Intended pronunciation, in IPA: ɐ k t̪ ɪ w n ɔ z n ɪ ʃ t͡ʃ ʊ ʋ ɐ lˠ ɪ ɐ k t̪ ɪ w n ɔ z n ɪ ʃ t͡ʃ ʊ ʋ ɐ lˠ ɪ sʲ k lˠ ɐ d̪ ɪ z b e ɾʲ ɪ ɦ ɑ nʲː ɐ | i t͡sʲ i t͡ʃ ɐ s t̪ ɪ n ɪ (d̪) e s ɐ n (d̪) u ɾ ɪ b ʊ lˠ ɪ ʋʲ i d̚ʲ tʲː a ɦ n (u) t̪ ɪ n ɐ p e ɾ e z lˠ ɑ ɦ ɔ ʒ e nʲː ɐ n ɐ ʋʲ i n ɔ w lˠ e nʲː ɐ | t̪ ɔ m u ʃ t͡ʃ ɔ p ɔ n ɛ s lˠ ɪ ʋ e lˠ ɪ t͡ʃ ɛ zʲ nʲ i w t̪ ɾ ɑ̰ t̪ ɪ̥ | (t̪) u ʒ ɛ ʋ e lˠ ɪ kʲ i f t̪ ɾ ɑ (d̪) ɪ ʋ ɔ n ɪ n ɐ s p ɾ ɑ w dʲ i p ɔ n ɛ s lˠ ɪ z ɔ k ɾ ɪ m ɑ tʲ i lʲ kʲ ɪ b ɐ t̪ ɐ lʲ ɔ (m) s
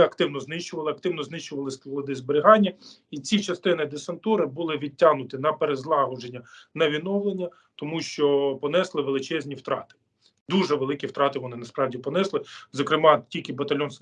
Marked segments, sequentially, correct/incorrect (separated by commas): correct, incorrect, incorrect, incorrect, incorrect, incorrect